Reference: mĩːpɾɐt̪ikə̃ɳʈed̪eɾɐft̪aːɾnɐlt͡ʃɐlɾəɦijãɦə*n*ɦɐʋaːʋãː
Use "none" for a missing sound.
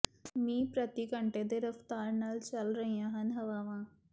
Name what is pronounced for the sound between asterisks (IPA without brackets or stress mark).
n